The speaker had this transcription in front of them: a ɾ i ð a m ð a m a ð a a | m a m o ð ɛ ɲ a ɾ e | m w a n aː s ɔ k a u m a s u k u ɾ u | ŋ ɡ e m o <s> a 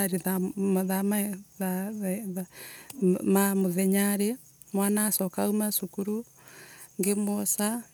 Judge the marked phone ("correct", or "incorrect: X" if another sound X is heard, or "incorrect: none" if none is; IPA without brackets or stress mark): correct